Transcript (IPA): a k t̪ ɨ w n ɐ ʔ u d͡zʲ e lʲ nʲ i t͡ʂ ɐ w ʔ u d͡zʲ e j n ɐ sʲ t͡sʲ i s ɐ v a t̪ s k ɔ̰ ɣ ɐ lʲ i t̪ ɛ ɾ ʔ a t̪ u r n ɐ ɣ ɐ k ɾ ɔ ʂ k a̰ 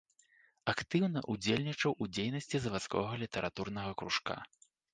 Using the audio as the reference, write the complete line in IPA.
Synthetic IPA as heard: a k t̪ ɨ w n ɐ ʔ u d͡zʲ e lʲ nʲ i t͡ʂ ɐ w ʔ u d͡zʲ e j n ɐ sʲ t͡sʲ i z ɐ v a t̪ s k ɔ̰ ɣ ɐ lʲ i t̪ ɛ ɾ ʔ a t̪ u r n ɐ ɣ ɐ k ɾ u ʂ k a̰